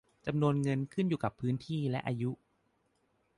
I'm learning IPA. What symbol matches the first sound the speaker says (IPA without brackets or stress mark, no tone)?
t͡ɕ